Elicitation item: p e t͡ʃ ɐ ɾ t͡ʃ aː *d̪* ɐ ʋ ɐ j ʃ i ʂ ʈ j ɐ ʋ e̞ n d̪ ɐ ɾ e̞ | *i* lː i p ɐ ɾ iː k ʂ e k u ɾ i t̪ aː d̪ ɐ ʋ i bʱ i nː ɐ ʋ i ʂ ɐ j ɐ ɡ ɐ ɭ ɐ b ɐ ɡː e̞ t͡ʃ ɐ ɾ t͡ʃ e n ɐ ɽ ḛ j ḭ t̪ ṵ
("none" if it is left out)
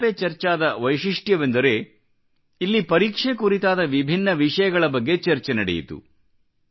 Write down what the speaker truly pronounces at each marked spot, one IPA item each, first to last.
d̪, i

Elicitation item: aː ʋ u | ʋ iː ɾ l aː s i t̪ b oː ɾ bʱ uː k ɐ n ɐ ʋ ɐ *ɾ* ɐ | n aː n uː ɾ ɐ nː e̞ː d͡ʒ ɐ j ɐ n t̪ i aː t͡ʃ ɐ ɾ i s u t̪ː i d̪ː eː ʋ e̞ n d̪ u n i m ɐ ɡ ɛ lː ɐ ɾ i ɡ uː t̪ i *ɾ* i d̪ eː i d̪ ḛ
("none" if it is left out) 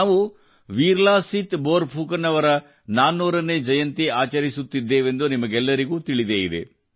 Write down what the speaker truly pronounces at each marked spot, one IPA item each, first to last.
ɾ, ɭ

